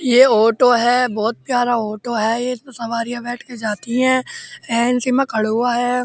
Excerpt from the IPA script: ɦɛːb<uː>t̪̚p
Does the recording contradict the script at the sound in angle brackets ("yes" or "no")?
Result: yes